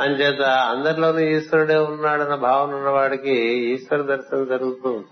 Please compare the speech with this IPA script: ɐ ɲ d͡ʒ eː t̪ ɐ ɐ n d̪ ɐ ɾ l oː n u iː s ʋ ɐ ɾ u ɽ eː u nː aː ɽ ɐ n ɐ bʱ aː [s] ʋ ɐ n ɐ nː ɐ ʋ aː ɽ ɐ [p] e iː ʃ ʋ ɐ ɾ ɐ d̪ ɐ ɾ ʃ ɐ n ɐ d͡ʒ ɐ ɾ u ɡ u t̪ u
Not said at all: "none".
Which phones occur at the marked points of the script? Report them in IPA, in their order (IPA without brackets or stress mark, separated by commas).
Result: none, k